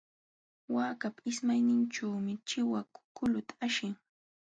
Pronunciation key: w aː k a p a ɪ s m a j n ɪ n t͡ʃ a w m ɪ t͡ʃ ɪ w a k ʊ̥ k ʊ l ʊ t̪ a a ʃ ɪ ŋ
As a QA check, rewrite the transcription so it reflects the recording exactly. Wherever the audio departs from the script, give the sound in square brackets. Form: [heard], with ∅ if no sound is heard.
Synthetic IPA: w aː k a p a ɪ s m a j n ɪ n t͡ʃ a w m ɪ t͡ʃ ɪ w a k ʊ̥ k ʊ l ʊ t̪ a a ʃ ɪ ŋ